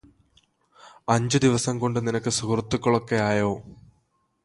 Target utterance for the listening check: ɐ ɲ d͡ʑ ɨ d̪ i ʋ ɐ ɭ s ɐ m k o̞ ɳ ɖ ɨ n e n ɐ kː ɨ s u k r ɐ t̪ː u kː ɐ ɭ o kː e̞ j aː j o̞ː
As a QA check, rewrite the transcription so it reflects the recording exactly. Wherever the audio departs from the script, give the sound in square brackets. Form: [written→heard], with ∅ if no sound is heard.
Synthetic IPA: ɐ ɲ d͡ʑ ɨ d̪ i ʋ ɐ [ɭ→∅] s ɐ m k o̞ ɳ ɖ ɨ n [e→i] n ɐ kː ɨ s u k r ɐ t̪ː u kː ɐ ɭ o kː e̞ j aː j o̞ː

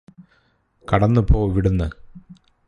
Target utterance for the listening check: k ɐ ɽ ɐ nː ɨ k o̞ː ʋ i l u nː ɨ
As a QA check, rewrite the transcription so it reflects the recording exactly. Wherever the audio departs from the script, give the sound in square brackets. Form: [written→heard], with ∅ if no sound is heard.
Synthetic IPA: k ɐ ɽ ɐ nː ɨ [k→p] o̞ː ʋ i [l→ɽ] u nː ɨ

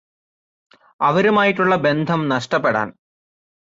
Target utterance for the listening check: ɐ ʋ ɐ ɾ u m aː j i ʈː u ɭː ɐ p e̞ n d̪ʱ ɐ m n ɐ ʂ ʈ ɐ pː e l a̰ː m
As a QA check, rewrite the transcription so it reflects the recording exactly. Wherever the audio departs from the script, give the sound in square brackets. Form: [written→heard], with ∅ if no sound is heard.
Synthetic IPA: ɐ ʋ ɐ ɾ u m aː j i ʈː u ɭː ɐ [p→b] e̞ n d̪ʱ ɐ m n ɐ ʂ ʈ ɐ pː e [l→ɽ] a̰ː [m→n]

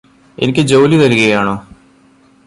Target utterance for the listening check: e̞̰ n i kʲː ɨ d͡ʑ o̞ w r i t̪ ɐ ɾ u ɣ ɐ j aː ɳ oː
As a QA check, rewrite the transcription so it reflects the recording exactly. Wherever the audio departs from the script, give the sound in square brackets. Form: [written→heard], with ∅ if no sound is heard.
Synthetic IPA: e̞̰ n i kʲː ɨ d͡ʑ o̞ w [r→l] i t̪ ɐ ɾ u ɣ ɐ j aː ɳ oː

